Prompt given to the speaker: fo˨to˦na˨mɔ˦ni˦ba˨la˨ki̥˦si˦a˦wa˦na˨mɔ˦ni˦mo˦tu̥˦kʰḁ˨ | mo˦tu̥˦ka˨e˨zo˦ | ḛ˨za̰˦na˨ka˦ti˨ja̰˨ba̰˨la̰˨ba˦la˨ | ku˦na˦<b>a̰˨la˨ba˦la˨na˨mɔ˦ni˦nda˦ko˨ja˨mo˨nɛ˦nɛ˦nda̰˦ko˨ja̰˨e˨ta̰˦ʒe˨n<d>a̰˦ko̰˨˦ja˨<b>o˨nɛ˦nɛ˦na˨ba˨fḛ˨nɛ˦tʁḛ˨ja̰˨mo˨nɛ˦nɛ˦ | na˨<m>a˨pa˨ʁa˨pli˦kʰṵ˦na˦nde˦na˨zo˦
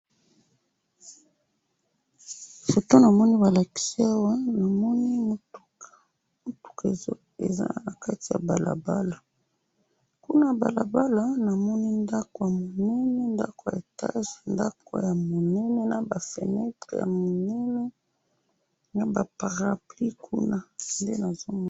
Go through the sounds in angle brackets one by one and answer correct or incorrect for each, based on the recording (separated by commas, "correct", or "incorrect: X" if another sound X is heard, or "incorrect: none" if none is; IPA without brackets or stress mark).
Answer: correct, correct, incorrect: m, incorrect: b